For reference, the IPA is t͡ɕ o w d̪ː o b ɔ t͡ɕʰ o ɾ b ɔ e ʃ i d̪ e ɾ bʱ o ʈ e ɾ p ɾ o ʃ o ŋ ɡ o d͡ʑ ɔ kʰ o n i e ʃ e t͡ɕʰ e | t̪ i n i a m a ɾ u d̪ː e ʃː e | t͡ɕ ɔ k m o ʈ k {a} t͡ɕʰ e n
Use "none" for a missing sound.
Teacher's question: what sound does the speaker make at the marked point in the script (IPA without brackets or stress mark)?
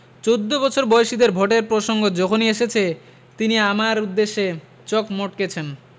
e